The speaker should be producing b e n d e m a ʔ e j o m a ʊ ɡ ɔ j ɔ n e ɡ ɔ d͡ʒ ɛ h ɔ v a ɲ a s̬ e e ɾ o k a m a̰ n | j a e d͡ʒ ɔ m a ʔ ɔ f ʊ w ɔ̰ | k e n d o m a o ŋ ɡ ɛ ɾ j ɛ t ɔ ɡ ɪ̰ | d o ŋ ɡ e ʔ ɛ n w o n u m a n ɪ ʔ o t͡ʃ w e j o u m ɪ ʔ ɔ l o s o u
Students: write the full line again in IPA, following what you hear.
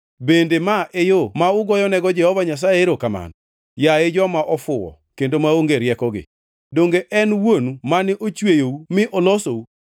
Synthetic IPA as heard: b e n d e m a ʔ e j o m a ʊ ɡ ɔ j ɔ n ɛ ɡ ɔ d͡ʒ ɛ h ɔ v a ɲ a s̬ a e ɾ o k a m a̰ n | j a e d͡ʒ ɔ m a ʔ ɔ f ʊ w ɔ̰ | k e n d o m a o ŋ ɡ e ɾ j ɛ k ɔ ɡ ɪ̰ | d o ŋ ɡ e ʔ ɛ n w o n u m a n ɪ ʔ o t͡ʃ w e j o u m ɪ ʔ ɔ l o s o u